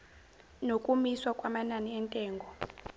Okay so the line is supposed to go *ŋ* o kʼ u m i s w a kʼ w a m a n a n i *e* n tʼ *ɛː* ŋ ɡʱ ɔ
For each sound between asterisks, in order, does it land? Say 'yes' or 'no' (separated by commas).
no, no, yes